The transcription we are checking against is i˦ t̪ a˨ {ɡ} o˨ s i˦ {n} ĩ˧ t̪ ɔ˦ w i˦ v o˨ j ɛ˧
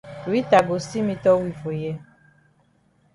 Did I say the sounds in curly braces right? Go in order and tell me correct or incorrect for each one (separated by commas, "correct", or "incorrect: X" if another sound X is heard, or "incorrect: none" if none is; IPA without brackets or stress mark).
correct, incorrect: m